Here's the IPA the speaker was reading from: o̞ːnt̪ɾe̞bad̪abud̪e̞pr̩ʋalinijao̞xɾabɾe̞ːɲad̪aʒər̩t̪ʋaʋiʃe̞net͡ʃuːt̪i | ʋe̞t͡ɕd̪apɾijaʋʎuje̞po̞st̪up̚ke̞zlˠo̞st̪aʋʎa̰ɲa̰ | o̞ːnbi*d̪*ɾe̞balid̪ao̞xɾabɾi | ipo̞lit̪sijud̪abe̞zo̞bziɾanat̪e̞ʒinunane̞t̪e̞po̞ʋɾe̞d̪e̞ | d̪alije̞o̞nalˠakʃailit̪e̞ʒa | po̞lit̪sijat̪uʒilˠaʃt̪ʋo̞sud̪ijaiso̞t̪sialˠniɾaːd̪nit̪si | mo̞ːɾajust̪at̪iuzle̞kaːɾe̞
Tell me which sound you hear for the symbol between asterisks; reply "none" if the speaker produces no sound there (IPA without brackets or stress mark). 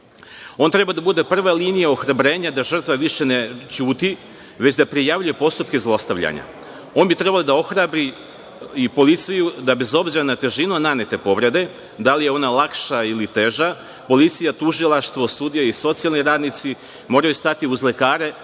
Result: t̪